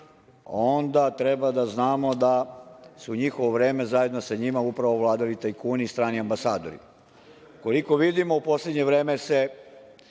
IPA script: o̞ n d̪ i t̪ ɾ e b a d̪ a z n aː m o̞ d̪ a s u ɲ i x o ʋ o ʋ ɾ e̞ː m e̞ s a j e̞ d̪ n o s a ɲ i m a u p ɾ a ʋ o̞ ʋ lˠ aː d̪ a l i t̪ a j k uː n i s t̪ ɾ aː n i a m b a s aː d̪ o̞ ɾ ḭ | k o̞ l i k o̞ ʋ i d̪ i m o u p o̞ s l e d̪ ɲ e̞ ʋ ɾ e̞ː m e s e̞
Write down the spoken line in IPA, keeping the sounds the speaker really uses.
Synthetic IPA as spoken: o̞ n d̪ a t̪ ɾ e b a d̪ a z n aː m o̞ d̪ a s u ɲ i x o ʋ o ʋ ɾ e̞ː m e̞ z a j e̞ d̪ n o s a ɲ i m a u p ɾ a ʋ o̞ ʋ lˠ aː d̪ a l i t̪ a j k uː n i s t̪ ɾ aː n i a m b a s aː d̪ o̞ ɾ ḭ | k o̞ l i k o̞ ʋ i d̪ i m o u p o̞ s l e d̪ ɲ e̞ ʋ ɾ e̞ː m e s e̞